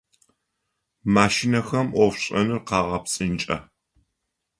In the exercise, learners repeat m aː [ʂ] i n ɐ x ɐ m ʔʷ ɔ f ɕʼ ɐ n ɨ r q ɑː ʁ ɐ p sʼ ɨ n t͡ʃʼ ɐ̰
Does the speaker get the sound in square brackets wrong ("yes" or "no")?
yes